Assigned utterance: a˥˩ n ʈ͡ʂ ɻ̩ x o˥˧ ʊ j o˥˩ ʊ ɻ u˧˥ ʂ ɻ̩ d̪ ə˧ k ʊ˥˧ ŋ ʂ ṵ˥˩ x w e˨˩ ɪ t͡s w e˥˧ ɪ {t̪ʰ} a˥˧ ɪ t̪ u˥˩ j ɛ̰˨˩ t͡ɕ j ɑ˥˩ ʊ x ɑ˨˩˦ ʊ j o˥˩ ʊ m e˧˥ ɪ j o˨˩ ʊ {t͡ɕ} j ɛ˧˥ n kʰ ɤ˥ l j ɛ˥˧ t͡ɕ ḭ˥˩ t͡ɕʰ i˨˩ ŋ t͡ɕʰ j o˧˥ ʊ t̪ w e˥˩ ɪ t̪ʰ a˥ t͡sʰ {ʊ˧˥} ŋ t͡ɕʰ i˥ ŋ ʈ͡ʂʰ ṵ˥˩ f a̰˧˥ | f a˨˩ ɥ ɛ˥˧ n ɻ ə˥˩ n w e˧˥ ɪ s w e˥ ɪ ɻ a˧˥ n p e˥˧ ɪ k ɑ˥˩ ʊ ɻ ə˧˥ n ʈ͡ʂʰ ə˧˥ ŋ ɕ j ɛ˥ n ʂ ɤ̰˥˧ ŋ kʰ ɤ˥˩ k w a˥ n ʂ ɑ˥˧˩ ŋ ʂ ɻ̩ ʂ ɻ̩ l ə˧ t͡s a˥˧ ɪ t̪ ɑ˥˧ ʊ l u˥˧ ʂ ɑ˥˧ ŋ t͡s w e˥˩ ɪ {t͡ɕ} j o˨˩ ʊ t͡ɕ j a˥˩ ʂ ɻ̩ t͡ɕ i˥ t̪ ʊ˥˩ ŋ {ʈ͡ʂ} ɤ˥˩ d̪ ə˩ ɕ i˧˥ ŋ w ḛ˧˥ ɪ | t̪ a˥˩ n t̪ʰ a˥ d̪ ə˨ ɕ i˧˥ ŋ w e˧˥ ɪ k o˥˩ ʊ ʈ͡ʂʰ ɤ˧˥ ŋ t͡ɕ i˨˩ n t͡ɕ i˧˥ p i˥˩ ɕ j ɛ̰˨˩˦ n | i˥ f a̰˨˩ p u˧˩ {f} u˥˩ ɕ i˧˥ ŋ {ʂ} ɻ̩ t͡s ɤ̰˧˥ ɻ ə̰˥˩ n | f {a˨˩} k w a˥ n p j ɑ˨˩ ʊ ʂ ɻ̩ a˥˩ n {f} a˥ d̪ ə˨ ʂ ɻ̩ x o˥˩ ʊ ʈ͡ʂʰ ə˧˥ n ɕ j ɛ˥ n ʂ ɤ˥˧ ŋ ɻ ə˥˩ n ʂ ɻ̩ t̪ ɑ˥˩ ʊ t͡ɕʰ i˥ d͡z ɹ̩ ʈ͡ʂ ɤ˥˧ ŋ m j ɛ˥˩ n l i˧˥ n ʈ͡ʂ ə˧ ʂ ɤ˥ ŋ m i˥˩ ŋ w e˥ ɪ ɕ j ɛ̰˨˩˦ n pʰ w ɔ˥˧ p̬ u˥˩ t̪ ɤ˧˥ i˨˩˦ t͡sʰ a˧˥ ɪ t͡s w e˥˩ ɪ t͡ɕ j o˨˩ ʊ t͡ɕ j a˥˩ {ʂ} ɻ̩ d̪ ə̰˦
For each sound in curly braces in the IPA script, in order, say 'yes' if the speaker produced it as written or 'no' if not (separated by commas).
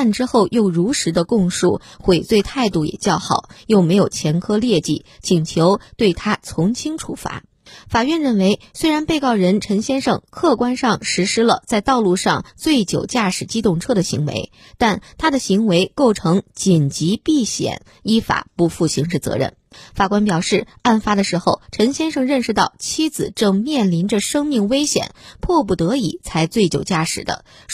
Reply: yes, no, yes, yes, no, yes, yes, yes, yes, yes